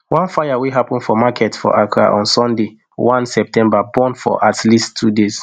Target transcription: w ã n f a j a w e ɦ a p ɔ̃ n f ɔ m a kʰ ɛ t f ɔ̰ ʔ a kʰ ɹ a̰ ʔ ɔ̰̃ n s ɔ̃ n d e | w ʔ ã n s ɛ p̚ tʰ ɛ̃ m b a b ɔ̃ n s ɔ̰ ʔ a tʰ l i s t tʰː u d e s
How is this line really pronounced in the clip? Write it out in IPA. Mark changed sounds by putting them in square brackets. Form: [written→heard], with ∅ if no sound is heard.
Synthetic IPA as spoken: w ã n f a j a w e ɦ a p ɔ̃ n f ɔ m a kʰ ɛ t f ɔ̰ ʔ a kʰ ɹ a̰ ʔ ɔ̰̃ n s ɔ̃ n d e | w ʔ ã n s ɛ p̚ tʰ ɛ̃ m b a b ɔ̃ n [s→f] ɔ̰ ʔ a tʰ l i s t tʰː u d e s